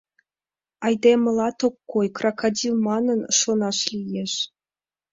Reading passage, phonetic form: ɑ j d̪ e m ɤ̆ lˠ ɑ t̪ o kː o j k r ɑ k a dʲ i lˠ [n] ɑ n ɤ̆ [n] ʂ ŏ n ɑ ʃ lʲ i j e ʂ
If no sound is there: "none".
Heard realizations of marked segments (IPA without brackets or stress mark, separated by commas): m, n